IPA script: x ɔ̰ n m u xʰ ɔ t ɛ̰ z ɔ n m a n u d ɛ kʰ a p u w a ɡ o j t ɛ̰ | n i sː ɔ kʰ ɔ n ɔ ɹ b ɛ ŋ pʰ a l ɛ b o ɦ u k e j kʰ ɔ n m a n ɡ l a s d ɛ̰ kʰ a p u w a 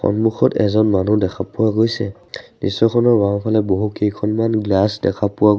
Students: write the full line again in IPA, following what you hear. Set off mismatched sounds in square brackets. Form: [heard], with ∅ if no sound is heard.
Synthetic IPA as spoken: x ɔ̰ n m u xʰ ɔ t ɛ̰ z ɔ n m a n u d ɛ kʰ a p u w a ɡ o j [s] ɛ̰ | n i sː ɔ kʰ ɔ n ɔ ɹ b [a] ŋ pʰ a l ɛ b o ɦ u k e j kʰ ɔ n m a n ɡ l a s d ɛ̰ kʰ a p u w a